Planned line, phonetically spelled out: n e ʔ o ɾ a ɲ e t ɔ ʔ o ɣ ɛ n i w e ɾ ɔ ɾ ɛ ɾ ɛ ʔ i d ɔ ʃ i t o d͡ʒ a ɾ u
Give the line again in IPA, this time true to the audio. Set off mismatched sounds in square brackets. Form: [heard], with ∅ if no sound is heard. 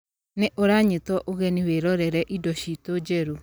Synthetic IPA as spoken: n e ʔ o ɾ a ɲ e t ɔ ʔ o ɣ ɛ n i w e ɾ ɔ ɾ ɛ ɾ ɛ ʔ i d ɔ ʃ i t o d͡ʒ [ɛ] ɾ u